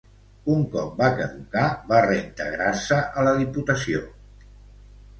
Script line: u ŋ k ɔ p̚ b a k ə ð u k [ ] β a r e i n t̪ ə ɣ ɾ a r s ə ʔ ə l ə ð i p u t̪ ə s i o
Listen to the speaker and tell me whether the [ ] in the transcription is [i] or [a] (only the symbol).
a